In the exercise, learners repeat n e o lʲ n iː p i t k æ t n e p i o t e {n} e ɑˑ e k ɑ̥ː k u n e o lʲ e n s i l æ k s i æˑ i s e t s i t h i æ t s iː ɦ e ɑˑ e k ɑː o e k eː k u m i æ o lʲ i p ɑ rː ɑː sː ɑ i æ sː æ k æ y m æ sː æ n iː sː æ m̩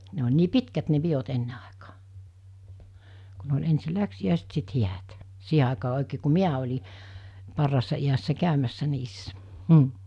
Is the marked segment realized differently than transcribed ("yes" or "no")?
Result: yes